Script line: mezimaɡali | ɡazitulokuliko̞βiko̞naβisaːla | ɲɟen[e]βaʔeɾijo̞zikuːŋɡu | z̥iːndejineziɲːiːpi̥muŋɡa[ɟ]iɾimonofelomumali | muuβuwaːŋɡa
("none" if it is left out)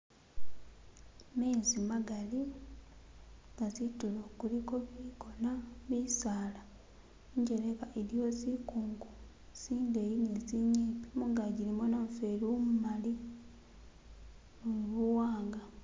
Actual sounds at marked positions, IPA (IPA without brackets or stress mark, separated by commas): e, ɟ